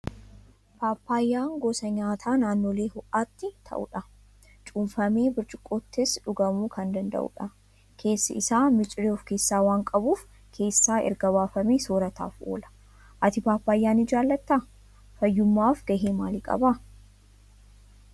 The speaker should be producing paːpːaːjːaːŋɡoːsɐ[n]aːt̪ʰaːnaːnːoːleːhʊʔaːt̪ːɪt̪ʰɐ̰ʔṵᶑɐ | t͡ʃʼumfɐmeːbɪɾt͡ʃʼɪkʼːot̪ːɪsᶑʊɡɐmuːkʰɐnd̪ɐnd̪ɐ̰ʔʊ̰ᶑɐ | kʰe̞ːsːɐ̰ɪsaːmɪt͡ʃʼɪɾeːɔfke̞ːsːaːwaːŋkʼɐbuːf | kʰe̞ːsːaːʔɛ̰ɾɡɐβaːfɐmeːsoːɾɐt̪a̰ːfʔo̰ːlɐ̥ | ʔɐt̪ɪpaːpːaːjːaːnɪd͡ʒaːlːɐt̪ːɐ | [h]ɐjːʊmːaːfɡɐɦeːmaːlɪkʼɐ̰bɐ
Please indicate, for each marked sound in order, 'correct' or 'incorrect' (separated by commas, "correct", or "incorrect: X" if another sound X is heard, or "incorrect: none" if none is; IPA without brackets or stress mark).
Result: incorrect: ɲ, incorrect: f